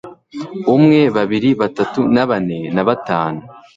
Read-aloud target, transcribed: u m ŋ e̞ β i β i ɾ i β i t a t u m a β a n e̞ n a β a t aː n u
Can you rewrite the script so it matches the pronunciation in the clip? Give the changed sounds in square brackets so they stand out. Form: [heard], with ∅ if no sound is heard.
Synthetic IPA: u m ŋ e̞ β [a] β i ɾ i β [a] t a t u [n] a β a n e̞ n a β a t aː n u